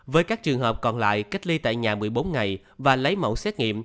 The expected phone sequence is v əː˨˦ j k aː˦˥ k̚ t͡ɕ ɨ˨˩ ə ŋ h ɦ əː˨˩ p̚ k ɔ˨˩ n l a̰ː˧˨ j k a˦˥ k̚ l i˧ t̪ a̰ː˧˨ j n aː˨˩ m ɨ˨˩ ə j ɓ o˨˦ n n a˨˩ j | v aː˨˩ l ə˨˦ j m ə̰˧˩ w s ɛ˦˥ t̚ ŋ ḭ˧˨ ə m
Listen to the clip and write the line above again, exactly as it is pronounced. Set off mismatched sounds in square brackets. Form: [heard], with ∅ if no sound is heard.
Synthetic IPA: v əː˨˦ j k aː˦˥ k̚ t͡ɕ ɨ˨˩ ə ŋ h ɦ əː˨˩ p̚ k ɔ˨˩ n l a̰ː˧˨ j k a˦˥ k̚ l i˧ t̪ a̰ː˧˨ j [ɲ] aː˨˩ m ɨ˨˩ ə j ɓ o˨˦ n [ŋ] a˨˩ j | v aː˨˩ l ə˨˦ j m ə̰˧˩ w s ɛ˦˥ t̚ ŋ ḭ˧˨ ə m